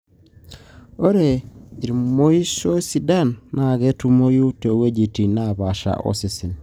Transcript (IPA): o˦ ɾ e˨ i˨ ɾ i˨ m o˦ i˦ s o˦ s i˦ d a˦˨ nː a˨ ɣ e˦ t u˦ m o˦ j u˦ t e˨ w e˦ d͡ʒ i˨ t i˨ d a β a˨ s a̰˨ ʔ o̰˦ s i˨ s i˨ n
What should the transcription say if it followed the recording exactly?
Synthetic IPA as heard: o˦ ɾ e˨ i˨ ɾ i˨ m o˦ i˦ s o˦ s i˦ d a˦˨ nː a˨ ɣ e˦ t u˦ m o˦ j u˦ t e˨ w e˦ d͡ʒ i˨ t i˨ n a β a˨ ʃ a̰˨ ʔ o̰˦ s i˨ s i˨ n